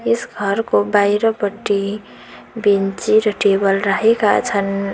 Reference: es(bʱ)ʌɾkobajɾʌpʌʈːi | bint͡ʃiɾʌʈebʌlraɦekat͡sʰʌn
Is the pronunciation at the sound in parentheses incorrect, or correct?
incorrect